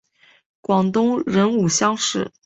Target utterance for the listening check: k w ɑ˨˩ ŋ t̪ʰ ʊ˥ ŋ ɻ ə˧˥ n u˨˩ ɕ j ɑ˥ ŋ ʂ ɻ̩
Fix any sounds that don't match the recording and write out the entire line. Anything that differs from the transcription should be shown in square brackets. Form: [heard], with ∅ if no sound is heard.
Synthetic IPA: k w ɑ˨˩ ŋ [t̪] ʊ˥ ŋ ɻ ə˧˥ n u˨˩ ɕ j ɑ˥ ŋ ʂ ɻ̩